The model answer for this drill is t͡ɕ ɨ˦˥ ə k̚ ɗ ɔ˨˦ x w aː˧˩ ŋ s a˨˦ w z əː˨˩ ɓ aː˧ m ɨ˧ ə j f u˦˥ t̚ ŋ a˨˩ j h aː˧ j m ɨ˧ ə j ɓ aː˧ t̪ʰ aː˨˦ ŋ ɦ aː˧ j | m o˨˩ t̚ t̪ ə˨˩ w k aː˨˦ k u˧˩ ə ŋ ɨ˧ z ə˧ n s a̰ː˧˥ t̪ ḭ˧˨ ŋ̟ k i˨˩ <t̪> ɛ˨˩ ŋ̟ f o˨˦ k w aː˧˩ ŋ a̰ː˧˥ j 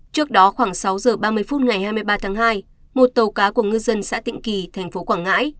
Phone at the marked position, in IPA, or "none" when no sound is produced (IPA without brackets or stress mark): t̪ʰ